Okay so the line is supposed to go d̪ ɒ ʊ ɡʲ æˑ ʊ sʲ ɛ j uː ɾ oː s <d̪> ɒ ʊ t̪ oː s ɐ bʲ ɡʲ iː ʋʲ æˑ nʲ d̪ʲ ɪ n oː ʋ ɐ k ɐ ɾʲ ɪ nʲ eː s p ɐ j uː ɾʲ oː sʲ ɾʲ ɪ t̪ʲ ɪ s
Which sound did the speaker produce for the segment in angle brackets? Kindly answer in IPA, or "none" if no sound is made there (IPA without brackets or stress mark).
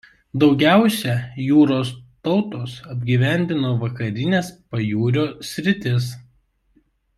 t̪